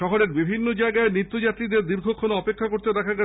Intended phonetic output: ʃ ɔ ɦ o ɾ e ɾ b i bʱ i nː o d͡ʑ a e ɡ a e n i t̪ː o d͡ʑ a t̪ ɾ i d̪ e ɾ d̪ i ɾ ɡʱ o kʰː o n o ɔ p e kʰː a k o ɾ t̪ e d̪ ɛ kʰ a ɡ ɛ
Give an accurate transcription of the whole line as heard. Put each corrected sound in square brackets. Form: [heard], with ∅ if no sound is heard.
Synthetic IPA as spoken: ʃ ɔ ɦ o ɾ e ɾ b i bʱ i nː o d͡ʑ a e ɡ a e n i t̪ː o d͡ʑ a t̪ ɾ i d̪ e ɾ d̪ i ɾ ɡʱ o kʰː o n o ɔ p e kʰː a k o ɾ t̪ e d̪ ɛ kʰ a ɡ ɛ